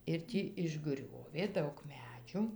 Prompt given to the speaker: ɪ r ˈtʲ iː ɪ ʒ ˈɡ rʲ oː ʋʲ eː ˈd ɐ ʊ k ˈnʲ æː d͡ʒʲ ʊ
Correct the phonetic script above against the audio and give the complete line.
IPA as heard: ɪ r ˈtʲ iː ɪ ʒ ˈɡ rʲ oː ʋʲ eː ˈd ɐ ʊ k ˈmʲ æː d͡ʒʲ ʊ